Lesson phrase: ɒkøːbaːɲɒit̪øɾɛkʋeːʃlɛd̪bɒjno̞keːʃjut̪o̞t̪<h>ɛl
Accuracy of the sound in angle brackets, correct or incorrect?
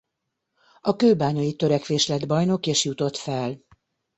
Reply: incorrect